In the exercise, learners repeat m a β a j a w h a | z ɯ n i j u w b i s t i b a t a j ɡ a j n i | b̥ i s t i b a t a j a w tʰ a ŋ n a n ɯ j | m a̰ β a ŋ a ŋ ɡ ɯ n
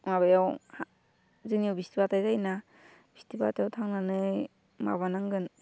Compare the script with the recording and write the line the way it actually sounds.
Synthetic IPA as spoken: m a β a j a w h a | z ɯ n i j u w b i s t i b a t a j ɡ a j n a | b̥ i s t i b a t a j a w tʰ a ŋ n a n ɯ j | m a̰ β a n a ŋ ɡ ɯ n

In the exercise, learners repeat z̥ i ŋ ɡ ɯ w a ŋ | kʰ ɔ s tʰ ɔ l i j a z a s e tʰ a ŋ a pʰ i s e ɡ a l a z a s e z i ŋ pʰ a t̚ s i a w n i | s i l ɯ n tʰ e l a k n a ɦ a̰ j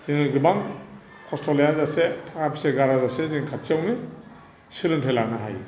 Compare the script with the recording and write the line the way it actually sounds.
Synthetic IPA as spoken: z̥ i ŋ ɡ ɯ b a ŋ | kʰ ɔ s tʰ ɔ l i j a z a s e tʰ a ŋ a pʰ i s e ɡ a ɾ a z a s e z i ŋ kʰ a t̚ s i a w n i | s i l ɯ n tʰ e l a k n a ɦ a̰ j

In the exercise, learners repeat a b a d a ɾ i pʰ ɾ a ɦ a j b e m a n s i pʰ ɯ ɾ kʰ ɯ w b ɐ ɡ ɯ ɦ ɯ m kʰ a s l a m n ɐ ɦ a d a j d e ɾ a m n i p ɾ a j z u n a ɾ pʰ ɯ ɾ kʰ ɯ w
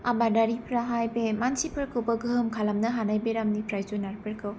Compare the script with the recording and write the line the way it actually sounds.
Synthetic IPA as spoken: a b a d a ɾ i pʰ ɾ a ɦ a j b e m a n s i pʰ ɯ ɾ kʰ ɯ w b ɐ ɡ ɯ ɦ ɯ m kʰ a l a m n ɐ ɦ a n a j b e ɾ a m n i p ɾ a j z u n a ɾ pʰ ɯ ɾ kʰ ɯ w

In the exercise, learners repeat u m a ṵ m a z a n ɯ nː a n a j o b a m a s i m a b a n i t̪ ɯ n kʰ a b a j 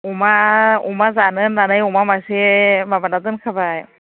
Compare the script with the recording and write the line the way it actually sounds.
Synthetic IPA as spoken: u m a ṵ m a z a n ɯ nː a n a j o m a m a s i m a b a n a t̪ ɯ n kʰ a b a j

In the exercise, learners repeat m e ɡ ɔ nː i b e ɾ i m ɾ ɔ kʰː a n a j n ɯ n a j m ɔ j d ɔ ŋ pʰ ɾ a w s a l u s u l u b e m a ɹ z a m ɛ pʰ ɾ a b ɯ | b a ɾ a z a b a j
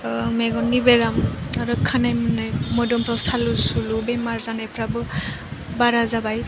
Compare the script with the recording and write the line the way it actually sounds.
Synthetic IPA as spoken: m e ɡ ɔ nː i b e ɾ a m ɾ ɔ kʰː a n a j m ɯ n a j m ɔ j d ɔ m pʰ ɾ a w s a l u s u l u b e m a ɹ z a n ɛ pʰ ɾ a b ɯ | b a ɾ a z a b a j

